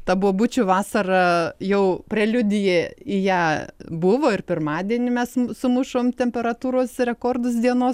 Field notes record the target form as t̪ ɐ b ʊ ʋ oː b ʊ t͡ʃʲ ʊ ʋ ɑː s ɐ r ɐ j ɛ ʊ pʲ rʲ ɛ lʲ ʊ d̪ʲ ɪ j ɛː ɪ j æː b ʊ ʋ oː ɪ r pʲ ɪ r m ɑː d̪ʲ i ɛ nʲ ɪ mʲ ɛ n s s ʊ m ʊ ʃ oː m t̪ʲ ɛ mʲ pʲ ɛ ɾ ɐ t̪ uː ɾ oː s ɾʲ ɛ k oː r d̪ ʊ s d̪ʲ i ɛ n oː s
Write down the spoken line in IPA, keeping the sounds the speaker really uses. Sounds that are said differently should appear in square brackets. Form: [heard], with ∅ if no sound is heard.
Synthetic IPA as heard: t̪ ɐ b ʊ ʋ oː b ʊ t͡ʃʲ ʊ ʋ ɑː s ɐ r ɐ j ɛ ʊ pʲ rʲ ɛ lʲ ʊ d̪ʲ ɪ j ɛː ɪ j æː b ʊ ʋ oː ɪ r pʲ ɪ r m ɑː d̪ʲ i ɛ nʲ ɪ mʲ ɛ [∅] s s ʊ m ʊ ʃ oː m t̪ʲ ɛ mʲ pʲ ɛ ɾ ɐ t̪ uː ɾ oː s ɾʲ ɛ k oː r d̪ ʊ s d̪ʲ i ɛ n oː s